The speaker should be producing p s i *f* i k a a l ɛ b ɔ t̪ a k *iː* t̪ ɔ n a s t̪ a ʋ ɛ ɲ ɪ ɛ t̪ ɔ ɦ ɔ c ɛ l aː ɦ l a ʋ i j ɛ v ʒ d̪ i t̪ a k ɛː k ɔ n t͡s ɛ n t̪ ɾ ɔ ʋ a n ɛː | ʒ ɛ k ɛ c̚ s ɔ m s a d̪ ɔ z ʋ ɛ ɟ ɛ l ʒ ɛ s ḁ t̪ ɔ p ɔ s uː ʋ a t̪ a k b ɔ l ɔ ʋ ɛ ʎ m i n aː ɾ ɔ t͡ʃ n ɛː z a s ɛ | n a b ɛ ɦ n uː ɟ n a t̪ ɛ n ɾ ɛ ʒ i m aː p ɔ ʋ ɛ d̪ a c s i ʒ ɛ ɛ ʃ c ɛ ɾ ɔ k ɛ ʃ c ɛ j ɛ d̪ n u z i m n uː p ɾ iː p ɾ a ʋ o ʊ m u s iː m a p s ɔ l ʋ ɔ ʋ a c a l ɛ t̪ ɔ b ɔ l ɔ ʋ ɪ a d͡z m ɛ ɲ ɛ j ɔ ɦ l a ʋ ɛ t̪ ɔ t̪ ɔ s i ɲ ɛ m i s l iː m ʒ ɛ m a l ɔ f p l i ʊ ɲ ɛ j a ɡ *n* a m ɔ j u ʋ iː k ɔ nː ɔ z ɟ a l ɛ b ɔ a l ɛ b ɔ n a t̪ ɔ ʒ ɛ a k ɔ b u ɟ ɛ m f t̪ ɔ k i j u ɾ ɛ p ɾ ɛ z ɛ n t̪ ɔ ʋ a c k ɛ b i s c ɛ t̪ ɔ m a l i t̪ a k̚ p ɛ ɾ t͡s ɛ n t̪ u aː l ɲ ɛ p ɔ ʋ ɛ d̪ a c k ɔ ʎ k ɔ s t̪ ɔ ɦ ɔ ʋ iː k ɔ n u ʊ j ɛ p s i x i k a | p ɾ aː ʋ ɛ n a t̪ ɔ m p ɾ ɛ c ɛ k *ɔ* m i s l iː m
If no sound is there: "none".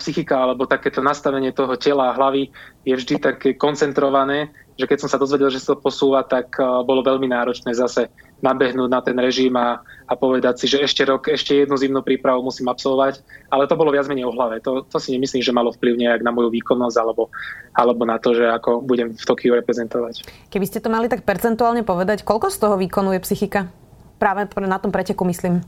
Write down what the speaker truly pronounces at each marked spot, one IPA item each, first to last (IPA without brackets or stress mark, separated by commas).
x, ɛː, n, u